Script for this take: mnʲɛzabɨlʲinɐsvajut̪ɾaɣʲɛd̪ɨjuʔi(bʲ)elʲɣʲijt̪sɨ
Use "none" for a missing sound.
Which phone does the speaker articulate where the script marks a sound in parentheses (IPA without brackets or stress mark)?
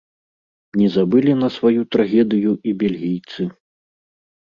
bʲ